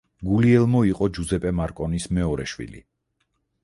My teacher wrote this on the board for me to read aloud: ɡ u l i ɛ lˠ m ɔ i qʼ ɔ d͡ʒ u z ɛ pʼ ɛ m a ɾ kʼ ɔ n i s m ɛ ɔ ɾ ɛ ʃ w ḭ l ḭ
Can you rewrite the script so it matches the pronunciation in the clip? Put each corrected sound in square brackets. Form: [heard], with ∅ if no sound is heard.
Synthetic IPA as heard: ɡ u l i ɛ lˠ m ɔ i qʼ ɔ d͡ʒ u z ɛ pʼ ɛ m a ɾ kʼ ɔ n i s m ɛ ɔ ɾ ɛ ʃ w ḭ l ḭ